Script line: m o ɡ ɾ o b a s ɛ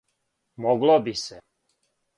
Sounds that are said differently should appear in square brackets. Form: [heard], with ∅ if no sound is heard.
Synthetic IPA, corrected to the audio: m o ɡ [l] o b [i] s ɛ